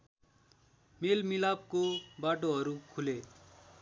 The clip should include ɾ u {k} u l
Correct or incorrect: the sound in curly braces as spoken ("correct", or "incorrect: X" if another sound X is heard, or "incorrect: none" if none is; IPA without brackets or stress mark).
incorrect: kʰ